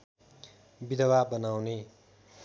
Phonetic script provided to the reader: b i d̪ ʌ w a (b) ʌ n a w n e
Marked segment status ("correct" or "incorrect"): correct